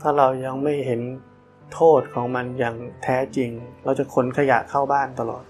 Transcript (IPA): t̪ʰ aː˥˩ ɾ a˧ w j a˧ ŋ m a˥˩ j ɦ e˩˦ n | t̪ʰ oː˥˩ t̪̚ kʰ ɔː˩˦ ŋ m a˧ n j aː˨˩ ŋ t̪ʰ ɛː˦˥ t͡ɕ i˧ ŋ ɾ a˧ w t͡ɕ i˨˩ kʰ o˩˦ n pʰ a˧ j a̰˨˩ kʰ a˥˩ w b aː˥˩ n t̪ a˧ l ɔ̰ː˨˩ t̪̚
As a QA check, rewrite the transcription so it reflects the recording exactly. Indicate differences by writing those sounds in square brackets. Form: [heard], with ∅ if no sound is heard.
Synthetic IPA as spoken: t̪ʰ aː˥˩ ɾ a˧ w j a˧ ŋ m a˥˩ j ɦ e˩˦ n | t̪ʰ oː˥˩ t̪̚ kʰ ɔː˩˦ ŋ m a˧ n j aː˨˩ ŋ t̪ʰ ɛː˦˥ t͡ɕ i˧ ŋ ɾ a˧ w t͡ɕ [a˨˩] kʰ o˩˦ n [kʰ] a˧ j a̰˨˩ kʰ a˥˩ w b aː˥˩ n t̪ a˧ l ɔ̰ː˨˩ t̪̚